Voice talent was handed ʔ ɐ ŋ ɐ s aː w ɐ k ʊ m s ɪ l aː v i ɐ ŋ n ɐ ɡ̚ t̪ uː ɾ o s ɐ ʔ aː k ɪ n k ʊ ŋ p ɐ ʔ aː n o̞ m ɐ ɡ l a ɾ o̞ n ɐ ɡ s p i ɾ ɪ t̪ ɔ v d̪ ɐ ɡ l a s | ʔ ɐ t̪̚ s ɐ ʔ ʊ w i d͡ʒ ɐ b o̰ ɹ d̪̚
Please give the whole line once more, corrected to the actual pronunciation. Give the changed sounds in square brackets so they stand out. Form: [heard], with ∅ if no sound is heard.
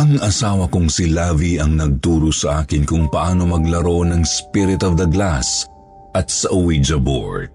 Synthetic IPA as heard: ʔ ɐ ŋ ɐ s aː w ɐ k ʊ [ŋ] s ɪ l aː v i ɐ ŋ n ɐ ɡ̚ t̪ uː ɾ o s ɐ ʔ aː k ɪ n k ʊ ŋ p ɐ ʔ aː n o̞ m ɐ ɡ l [ɐ] ɾ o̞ n ɐ [ŋ] s p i ɾ ɪ t̪ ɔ v d̪ ɐ ɡ l a s | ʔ ɐ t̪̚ s ɐ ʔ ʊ w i d͡ʒ ɐ b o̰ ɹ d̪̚